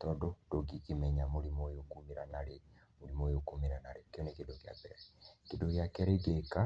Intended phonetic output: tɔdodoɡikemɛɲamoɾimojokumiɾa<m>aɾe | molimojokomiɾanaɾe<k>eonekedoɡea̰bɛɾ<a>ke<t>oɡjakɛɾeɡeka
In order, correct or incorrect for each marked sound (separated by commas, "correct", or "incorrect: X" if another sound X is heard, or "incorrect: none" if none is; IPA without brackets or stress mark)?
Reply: incorrect: n, correct, incorrect: ɛ, incorrect: d